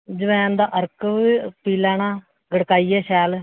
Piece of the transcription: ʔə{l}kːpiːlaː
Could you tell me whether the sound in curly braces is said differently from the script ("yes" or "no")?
yes